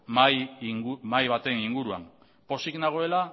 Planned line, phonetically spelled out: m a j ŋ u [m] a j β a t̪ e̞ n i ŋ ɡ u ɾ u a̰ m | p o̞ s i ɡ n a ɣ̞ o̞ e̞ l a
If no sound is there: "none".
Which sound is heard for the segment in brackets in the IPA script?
m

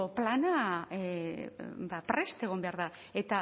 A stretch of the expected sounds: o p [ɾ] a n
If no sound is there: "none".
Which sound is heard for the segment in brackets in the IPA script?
l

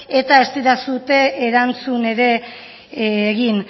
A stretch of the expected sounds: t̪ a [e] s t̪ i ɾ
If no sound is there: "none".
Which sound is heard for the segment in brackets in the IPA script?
e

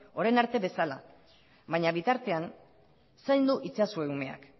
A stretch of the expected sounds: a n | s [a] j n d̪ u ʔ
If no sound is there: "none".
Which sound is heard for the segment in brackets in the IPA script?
a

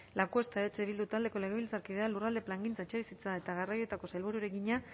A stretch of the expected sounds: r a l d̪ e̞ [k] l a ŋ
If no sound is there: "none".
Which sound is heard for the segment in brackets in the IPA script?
p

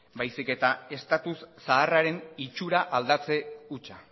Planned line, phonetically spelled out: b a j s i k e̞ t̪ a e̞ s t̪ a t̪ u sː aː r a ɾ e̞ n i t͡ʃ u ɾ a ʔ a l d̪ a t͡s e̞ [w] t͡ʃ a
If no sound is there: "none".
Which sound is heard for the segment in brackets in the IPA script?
u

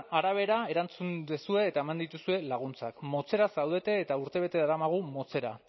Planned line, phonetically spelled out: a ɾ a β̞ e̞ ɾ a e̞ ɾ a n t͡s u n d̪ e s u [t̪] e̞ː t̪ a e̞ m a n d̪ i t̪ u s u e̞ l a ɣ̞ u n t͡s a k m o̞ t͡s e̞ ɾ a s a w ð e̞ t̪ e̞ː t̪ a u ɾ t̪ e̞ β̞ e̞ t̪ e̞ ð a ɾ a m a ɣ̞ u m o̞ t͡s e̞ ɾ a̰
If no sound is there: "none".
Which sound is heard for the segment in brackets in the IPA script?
none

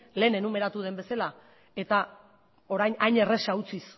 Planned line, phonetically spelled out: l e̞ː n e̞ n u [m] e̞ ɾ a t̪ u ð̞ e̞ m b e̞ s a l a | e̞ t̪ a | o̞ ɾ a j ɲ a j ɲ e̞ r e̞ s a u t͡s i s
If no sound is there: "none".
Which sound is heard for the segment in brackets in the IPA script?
m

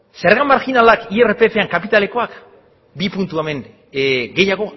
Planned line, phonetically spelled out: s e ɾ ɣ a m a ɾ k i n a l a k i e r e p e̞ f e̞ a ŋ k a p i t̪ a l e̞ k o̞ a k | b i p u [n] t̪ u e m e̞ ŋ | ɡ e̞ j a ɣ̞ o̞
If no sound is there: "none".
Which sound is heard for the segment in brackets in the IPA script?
n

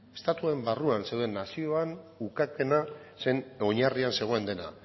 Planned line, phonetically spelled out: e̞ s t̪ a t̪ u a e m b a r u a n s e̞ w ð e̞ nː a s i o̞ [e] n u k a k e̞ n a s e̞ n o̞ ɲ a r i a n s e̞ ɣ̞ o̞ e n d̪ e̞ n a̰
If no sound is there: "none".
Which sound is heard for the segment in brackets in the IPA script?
a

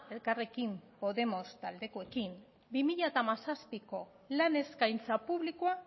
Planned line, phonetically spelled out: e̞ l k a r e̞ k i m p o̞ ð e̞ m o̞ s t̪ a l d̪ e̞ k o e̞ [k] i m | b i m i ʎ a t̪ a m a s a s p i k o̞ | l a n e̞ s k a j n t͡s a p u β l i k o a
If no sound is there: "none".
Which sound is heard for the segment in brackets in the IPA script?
k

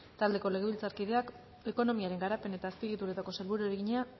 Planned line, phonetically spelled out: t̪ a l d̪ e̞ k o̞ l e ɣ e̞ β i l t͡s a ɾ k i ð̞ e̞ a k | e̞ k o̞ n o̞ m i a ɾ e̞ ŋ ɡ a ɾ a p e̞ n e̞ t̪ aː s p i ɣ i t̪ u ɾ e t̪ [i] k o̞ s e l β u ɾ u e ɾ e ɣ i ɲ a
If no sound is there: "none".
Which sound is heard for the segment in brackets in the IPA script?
a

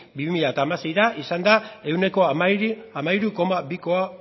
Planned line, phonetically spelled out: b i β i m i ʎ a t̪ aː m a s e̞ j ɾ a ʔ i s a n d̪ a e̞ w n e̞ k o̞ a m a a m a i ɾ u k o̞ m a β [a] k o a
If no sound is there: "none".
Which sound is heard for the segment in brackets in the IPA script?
i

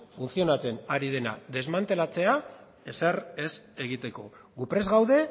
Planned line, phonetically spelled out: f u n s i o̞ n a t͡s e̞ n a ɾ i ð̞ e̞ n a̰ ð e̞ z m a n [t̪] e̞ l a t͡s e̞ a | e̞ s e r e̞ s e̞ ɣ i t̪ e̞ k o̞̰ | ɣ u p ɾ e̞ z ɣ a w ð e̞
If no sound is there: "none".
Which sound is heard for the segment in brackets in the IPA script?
t̪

